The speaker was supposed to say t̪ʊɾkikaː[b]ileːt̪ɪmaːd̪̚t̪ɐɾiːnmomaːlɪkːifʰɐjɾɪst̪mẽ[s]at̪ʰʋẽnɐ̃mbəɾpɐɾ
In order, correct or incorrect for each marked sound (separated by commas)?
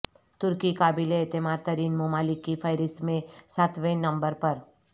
correct, correct